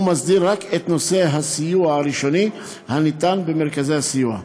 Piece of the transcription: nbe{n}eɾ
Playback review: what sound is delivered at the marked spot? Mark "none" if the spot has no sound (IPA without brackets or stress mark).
m